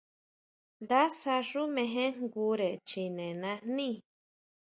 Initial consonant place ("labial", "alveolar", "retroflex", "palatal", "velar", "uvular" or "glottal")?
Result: alveolar